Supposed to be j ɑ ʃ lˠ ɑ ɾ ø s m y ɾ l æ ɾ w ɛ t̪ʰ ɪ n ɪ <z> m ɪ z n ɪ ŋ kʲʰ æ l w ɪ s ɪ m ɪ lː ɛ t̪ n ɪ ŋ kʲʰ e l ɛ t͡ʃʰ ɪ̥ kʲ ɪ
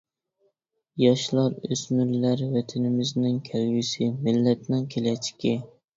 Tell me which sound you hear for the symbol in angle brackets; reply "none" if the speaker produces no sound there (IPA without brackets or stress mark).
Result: none